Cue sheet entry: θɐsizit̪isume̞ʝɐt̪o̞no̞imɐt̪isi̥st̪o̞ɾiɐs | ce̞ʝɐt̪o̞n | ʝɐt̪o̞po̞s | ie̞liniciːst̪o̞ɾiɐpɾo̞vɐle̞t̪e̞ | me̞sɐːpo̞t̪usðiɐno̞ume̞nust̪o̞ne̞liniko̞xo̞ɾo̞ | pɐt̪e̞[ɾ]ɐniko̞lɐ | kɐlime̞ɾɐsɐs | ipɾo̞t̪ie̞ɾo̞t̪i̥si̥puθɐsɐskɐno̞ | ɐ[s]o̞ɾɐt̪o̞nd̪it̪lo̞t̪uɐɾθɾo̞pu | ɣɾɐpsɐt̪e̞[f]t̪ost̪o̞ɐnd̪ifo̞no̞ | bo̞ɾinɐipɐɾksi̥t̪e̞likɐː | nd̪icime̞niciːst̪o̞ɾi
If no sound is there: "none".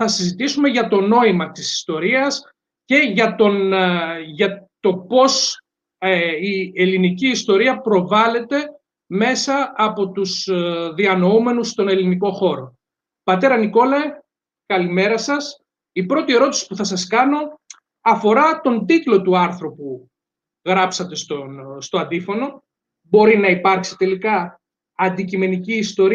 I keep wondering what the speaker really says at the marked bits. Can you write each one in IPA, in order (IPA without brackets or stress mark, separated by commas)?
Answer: ɾ, f, s